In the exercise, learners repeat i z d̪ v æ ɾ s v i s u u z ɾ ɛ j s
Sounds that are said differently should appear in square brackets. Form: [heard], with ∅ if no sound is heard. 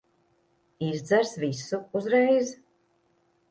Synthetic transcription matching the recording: i z d̪ [z] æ ɾ s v i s u u z ɾ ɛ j [z]